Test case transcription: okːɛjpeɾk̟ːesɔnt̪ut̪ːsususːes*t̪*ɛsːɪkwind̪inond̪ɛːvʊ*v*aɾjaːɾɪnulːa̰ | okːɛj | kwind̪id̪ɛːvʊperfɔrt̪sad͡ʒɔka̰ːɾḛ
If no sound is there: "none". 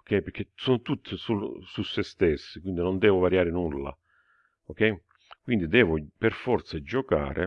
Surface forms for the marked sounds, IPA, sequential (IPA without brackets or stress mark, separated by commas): t̪, v